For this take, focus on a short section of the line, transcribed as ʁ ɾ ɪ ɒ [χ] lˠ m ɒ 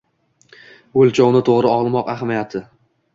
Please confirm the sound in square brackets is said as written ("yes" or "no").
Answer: no